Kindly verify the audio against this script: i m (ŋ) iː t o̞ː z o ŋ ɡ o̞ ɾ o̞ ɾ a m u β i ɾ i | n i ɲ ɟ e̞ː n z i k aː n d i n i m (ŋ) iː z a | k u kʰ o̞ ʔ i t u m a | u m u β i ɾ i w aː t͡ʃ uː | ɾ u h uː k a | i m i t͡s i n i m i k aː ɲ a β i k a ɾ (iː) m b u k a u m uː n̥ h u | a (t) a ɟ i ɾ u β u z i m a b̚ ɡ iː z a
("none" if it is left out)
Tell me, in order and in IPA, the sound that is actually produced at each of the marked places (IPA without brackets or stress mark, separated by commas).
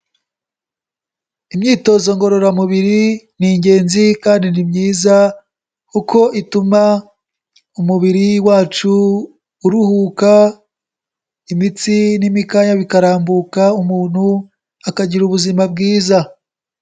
ɲ, ɲ, aː, k